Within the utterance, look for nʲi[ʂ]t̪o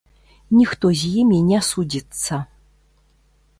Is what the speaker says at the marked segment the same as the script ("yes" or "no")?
no